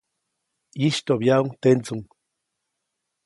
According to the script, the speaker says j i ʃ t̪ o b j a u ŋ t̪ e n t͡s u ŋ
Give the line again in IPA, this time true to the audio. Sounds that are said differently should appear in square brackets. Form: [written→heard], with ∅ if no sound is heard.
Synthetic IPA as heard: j i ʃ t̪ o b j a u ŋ t̪ e n t͡s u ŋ